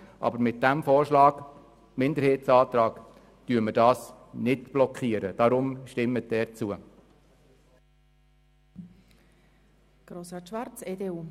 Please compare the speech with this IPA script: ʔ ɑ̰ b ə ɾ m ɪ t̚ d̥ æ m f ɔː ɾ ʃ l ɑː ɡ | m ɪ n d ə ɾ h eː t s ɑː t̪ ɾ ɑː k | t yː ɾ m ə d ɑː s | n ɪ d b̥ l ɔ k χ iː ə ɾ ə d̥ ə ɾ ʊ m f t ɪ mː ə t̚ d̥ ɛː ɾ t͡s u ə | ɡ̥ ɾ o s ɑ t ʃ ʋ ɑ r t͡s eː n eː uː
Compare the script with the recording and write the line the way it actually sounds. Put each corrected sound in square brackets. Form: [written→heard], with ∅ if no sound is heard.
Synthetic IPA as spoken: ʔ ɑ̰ b ə ɾ m ɪ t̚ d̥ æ m f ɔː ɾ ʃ l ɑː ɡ | m ɪ n d ə ɾ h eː t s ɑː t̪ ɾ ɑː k | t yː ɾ m ə d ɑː s | n ɪ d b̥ l ɔ k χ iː ə ɾ ə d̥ [ə→ɑ] ɾ ʊ m [f→ʃ] t ɪ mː ə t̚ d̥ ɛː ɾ t͡s u ə | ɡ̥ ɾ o s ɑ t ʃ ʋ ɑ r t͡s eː [n→d] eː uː